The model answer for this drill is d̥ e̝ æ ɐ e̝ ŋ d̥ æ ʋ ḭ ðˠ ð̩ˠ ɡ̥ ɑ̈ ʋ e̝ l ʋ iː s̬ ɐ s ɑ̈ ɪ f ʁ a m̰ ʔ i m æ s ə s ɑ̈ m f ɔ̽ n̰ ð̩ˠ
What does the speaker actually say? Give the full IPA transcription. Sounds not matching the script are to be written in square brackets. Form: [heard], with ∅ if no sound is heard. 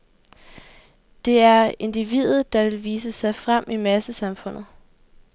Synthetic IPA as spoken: d̥ e̝ æ ɐ e̝ [n] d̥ [i] ʋ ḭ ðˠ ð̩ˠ [d̥] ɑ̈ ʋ e̝ l ʋ iː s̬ [ə] s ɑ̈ ɪ f ʁ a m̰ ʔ i m æ s ə s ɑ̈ m f ɔ̽ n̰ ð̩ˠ